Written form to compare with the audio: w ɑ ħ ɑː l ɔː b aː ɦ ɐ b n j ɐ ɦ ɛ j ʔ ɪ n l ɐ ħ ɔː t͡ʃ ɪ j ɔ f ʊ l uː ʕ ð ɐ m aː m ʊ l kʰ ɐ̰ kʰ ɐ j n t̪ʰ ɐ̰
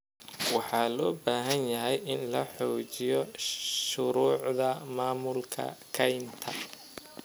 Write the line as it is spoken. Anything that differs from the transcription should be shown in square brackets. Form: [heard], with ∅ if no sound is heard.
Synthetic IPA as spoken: w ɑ ħ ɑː l ɔː b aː ɦ ɐ [∅] n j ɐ ɦ ɛ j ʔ ɪ n l ɐ ħ ɔː t͡ʃ ɪ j ɔ [ʃ] ʊ [ɾ] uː ʕ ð ɐ m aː m ʊ l kʰ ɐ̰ kʰ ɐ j n t̪ʰ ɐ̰